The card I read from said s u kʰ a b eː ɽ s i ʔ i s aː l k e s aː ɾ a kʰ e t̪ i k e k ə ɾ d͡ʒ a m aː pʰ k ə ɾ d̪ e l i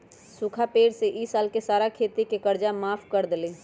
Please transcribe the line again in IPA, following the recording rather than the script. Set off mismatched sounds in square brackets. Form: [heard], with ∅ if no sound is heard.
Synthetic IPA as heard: s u kʰ a [p] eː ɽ s [e] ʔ i s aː l k e s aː ɾ a kʰ e t̪ i k e k ə ɾ d͡ʒ a m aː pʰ k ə ɾ d̪ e l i